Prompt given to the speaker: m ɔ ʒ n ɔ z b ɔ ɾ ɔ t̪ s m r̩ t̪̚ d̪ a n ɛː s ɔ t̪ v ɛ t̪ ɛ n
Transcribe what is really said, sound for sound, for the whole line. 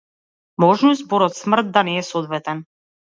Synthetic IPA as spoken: m ɔ ʒ n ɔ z b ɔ ɾ ɔ t̪ s m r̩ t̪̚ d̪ a n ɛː s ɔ d̪ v ɛ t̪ ɛ n